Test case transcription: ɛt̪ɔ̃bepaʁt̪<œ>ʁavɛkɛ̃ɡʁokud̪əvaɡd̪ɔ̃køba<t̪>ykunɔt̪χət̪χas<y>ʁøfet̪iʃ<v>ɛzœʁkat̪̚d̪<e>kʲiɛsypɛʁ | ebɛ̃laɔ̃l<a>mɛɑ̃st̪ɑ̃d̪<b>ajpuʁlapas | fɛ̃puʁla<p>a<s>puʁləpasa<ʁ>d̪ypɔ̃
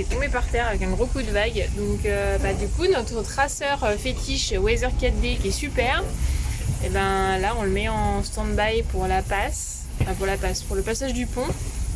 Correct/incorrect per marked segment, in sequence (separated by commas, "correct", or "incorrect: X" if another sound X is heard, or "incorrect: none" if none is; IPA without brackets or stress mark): incorrect: ɛ, incorrect: d̪, incorrect: œ, incorrect: w, correct, incorrect: ə, correct, correct, correct, incorrect: ʒ